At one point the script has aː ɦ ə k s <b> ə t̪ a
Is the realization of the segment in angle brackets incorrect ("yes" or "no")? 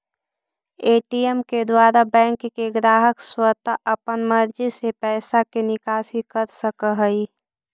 yes